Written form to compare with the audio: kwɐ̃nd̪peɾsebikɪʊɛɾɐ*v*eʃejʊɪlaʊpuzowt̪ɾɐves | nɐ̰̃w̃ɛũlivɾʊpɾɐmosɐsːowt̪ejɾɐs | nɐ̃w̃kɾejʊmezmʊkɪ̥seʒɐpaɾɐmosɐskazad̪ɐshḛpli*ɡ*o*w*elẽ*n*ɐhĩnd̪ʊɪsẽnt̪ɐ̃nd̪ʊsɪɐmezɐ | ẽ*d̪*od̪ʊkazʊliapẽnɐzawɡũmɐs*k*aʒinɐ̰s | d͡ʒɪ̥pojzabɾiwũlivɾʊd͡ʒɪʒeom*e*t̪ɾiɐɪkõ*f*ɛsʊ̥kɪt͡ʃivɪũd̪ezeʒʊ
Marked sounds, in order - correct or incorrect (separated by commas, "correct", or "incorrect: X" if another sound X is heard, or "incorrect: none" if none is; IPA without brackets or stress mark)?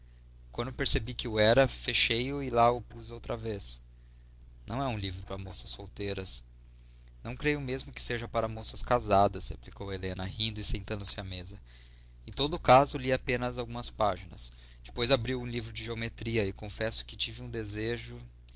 incorrect: f, incorrect: k, correct, correct, incorrect: t̪, incorrect: p, correct, correct